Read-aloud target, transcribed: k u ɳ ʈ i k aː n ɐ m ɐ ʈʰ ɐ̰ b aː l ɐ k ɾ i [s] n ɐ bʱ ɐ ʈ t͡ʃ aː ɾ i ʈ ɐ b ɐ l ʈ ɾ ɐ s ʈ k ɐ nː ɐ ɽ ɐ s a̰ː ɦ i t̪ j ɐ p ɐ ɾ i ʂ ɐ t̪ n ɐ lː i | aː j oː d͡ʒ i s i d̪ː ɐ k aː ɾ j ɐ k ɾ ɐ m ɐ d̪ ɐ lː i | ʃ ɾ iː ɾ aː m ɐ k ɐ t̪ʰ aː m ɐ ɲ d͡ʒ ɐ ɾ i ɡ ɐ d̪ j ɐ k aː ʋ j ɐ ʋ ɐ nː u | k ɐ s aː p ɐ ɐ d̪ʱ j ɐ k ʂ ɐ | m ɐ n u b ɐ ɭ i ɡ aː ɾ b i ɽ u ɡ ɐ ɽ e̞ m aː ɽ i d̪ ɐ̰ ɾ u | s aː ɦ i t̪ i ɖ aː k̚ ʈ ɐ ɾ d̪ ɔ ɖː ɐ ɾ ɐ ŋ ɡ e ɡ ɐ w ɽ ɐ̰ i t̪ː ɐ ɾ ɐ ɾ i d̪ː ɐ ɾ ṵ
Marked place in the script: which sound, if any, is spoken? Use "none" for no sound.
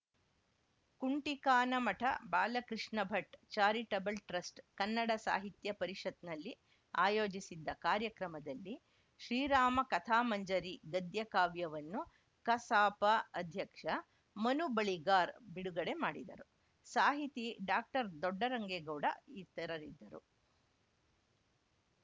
ʂ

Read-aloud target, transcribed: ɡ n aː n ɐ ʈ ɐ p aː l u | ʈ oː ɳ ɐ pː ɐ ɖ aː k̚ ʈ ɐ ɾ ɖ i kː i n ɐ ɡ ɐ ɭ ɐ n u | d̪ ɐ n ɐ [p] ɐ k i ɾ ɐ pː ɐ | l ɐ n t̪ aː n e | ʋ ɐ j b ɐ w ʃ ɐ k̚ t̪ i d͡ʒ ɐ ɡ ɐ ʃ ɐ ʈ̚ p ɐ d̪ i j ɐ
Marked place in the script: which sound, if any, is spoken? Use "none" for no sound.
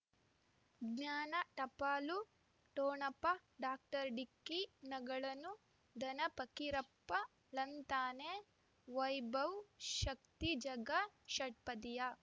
p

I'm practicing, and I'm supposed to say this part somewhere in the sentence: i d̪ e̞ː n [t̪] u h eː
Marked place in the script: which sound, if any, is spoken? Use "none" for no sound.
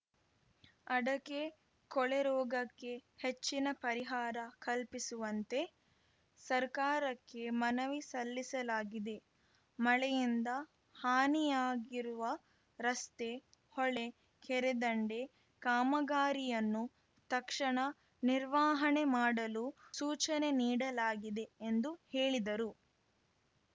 d̪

